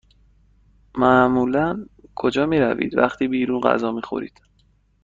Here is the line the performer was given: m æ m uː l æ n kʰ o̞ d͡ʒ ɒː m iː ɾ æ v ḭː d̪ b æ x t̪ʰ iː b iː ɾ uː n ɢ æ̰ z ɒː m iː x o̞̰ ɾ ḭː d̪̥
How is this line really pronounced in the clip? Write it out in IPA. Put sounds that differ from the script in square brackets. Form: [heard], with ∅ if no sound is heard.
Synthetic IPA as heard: m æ m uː l æ n kʰ o̞ d͡ʒ ɒː m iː ɾ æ v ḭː d̪ [v] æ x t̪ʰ iː b iː ɾ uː n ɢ æ̰ z ɒː m iː x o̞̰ ɾ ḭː d̪̥